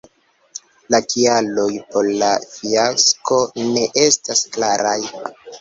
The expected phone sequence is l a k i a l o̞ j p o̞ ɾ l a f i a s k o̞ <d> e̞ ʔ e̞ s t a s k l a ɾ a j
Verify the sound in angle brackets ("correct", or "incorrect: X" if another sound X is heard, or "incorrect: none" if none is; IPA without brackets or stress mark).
incorrect: n